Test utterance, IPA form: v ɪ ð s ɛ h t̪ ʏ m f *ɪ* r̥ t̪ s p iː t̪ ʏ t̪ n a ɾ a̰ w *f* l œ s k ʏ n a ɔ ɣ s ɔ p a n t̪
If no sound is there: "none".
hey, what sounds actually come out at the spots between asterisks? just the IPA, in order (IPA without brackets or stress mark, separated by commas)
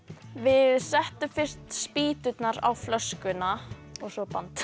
ɪ, f